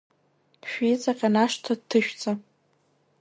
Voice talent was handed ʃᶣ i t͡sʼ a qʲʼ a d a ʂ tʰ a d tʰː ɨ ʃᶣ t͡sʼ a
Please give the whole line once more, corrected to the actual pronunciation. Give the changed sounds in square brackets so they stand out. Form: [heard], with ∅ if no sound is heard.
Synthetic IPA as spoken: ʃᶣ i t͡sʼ a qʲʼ a [n] a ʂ tʰ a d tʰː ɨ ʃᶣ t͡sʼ a

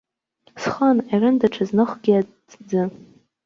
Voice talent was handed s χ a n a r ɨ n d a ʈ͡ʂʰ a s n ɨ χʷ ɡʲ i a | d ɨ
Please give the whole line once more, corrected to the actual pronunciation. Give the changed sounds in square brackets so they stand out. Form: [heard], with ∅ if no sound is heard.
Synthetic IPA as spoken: s χ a n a r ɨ n d a ʈ͡ʂʰ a [z] n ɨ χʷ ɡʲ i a | [d͡z] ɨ

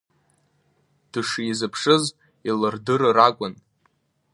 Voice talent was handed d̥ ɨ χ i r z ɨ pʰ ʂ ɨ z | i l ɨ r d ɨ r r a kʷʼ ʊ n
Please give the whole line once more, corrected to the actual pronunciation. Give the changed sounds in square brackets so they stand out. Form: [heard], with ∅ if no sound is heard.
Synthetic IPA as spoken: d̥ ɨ [ʂ] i [∅] z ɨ pʰ ʂ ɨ z | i l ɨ r d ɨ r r a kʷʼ ʊ n

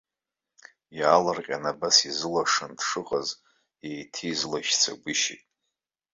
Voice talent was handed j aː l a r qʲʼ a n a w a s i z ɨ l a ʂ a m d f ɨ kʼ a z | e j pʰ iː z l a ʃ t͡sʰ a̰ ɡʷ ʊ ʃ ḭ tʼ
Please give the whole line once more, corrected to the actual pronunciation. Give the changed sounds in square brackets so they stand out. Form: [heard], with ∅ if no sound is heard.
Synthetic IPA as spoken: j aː l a r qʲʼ a n a [b] a s i z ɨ l a ʂ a [n] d [ʂ] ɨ [qʼ] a z | e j [tʰ] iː z l a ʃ t͡sʰ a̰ ɡʷ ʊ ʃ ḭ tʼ

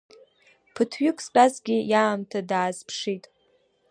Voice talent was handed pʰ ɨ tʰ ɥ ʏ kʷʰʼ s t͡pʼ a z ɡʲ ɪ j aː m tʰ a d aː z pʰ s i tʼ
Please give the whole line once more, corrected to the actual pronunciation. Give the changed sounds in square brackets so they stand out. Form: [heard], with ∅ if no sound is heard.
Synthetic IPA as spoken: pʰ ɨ tʰ ɥ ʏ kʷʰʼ s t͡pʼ a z ɡʲ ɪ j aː m tʰ a d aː z pʰ [ʂ] i tʼ

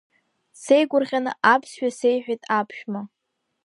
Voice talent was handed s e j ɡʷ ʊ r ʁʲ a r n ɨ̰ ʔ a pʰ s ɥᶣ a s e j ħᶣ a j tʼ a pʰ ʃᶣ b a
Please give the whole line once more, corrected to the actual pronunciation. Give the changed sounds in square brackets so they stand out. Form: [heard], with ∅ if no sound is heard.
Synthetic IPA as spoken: s e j ɡʷ ʊ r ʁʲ a [∅] n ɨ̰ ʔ a pʰ s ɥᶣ a s e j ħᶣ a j tʼ a pʰ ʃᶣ [m] a

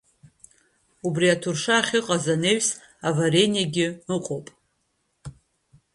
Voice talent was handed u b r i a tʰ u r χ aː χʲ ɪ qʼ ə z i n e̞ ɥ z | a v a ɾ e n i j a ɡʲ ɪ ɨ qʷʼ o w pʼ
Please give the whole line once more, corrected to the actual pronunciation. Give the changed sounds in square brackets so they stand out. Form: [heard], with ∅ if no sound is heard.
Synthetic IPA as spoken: u b r i a tʰ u r [ʂ] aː χʲ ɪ qʼ [a] z [a] n e̞ ɥ [s] | a v a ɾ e n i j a ɡʲ ɪ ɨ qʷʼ o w pʼ

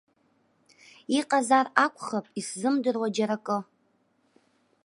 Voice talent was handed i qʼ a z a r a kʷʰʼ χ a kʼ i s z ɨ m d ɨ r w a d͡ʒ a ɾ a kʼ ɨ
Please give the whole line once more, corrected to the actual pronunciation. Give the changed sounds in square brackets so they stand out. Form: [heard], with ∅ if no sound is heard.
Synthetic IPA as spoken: i qʼ a z a r a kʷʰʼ χ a [pʼ] i s z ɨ m d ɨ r w a d͡ʒ a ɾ a kʼ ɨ

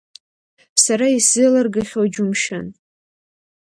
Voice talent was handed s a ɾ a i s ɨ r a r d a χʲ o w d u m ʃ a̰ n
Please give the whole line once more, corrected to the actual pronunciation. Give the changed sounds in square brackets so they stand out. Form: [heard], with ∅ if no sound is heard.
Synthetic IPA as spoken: s a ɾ a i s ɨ [l] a r [ɡ] a χʲ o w [d͡ʒ] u m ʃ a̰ n

